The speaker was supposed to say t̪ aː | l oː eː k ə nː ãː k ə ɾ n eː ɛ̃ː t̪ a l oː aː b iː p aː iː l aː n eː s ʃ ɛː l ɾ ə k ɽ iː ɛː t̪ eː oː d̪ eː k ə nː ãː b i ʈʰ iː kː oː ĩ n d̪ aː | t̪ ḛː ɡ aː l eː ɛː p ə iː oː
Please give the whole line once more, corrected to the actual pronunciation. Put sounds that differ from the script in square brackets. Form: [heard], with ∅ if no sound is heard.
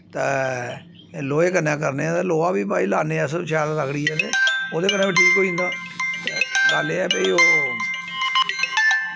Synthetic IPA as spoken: t̪ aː | l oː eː k ə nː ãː k ə ɾ n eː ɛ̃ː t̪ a l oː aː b iː p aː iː l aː n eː s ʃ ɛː l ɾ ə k ɽ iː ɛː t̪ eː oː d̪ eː k ə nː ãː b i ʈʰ iː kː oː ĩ n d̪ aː | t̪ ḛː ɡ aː l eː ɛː p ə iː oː